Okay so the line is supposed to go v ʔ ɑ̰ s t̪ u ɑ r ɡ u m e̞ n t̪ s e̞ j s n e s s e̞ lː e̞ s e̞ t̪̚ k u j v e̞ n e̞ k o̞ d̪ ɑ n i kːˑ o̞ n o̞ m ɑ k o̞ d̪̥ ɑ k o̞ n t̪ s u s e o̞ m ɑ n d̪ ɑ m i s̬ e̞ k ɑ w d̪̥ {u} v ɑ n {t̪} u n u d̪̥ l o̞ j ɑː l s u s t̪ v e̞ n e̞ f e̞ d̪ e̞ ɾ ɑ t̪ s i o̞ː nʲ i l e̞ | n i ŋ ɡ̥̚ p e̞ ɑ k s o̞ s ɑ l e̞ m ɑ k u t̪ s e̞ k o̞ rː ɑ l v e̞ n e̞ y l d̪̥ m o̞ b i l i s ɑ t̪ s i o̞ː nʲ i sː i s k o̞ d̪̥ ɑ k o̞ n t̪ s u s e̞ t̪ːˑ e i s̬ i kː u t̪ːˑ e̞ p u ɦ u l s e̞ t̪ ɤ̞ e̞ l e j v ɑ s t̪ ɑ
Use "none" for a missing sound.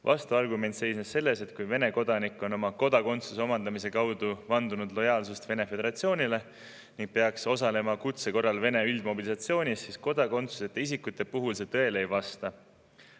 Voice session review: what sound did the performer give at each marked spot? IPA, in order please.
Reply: u, d̪

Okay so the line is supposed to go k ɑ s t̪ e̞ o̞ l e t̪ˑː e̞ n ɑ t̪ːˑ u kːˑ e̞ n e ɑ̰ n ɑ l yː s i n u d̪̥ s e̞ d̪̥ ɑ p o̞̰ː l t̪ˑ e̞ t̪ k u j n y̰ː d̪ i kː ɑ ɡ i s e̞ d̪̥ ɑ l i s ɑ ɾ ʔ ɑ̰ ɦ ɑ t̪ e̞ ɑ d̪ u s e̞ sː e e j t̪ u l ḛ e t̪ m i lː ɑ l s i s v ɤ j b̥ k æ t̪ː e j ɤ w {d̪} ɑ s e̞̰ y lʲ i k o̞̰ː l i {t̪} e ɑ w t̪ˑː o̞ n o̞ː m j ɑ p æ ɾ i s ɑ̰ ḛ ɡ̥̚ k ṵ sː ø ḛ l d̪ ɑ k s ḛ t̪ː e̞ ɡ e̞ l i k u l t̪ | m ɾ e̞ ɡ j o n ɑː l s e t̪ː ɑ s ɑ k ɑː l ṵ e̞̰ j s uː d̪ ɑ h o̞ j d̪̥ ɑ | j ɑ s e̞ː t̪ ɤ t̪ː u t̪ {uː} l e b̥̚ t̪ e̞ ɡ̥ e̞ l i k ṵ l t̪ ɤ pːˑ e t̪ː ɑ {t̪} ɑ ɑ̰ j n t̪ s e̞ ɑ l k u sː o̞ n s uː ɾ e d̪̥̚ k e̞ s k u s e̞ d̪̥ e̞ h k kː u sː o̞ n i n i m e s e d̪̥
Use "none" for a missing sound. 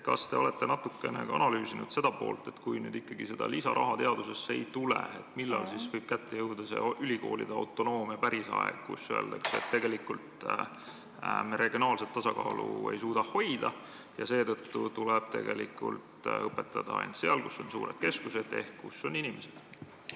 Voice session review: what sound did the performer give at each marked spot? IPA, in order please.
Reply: d̪, d̪, u, d̪

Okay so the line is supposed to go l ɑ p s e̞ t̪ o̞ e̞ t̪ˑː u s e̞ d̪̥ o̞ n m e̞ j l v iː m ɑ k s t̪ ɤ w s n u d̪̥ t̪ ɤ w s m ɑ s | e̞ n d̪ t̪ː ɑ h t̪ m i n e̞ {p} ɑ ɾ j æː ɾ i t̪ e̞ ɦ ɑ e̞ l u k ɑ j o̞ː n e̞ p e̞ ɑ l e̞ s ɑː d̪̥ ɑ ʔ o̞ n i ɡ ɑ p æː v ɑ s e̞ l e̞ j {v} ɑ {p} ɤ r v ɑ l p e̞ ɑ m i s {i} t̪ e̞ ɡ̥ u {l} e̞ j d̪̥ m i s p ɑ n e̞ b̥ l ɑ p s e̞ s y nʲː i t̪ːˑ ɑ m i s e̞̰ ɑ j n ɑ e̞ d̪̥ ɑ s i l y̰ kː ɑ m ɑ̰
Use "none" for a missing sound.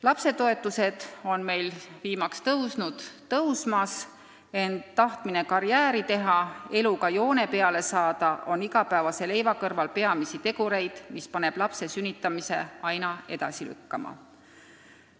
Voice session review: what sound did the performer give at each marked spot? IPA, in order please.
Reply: k, v, k, i, ɾ

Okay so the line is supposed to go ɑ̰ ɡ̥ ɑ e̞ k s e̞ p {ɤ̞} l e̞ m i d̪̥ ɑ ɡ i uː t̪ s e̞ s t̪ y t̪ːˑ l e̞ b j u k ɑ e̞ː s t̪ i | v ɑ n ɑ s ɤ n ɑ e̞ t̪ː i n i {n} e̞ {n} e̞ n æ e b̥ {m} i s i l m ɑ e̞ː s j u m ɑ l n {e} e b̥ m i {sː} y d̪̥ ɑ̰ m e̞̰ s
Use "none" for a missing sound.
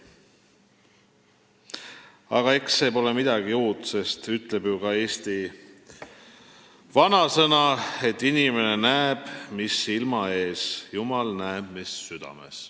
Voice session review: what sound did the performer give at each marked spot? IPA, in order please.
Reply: o̞, m, n, m, æ, sː

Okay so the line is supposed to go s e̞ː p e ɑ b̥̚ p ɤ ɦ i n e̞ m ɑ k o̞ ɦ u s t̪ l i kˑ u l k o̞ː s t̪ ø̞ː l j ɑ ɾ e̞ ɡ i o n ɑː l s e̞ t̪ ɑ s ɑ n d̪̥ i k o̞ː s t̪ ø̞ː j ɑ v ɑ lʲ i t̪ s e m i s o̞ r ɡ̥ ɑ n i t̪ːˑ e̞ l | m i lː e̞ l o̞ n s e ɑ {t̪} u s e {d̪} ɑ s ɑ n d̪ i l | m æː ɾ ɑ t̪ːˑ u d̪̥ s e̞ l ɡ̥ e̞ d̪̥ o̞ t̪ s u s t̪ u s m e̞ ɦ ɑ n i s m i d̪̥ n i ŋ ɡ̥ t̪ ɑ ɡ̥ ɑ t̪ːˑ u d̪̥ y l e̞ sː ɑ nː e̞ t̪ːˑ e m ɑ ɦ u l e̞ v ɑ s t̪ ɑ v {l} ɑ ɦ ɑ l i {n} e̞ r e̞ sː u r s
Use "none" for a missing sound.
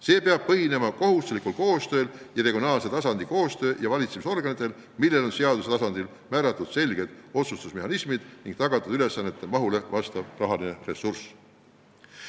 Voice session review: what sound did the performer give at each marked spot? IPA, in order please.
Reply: d̪, t̪, r, n

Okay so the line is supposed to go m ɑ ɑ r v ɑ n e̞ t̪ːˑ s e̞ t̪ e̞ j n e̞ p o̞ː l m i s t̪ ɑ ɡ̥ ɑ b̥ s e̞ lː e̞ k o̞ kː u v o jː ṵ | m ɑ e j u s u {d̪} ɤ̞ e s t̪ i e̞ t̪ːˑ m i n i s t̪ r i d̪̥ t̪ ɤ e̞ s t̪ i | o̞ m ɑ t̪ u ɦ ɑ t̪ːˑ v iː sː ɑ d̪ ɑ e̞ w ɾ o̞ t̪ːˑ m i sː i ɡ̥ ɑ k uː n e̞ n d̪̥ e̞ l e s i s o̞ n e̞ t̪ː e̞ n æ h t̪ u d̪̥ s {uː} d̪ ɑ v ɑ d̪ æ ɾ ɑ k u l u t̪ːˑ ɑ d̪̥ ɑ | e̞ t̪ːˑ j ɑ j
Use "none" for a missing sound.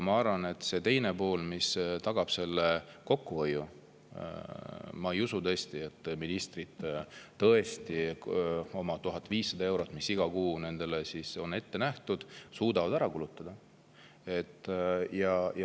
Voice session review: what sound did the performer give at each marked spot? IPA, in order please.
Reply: t̪, uː

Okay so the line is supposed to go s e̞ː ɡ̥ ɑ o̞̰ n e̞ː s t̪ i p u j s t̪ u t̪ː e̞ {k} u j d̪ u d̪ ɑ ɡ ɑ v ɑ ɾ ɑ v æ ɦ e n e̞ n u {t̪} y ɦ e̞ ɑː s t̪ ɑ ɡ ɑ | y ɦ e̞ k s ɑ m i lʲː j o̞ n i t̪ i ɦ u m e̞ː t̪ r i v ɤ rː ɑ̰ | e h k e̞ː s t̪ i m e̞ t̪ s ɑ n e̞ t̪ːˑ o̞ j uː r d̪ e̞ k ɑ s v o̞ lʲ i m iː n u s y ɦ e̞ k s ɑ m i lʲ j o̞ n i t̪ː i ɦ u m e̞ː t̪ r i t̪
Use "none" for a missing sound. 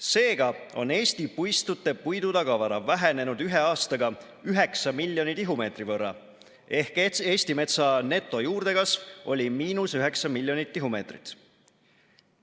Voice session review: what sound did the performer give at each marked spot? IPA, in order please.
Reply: p, d̪

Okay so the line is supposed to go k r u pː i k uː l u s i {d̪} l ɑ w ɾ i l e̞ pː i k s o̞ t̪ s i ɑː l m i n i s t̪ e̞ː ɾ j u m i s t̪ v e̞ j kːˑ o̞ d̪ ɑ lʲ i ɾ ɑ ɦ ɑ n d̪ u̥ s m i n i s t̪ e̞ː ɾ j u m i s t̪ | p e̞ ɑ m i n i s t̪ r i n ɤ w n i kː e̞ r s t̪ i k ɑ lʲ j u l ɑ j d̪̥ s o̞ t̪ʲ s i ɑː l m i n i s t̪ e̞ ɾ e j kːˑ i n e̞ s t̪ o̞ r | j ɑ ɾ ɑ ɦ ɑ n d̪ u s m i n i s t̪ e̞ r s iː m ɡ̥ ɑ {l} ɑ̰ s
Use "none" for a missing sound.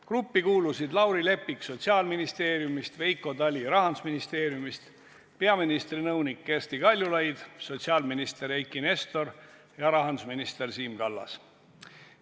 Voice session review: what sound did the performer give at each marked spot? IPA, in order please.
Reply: d̪, lː

